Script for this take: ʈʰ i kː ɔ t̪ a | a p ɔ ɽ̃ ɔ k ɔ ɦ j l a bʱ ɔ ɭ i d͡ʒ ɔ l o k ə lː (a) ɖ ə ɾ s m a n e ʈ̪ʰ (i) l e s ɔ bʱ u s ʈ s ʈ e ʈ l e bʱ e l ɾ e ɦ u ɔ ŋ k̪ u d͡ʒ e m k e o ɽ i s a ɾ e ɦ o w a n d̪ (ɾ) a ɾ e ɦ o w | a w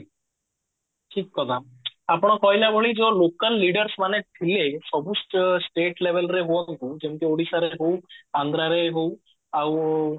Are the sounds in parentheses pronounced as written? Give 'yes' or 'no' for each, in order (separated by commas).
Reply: no, yes, yes